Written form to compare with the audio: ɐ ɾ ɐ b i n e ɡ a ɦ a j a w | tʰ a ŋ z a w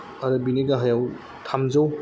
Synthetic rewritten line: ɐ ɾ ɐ b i n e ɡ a ɦ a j a w | tʰ a m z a w